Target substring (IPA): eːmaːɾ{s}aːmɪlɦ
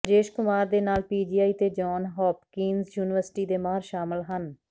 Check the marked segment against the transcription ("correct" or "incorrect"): incorrect